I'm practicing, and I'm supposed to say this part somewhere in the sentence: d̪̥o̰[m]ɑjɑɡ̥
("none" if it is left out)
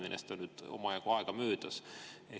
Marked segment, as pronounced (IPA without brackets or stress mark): m